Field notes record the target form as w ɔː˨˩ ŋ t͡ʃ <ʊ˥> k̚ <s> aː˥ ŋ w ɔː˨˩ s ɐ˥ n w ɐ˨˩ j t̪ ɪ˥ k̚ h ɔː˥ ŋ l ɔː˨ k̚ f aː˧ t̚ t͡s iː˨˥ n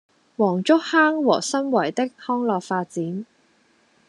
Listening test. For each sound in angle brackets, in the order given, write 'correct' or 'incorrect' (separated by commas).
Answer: correct, incorrect